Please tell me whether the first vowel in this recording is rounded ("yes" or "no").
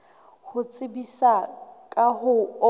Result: yes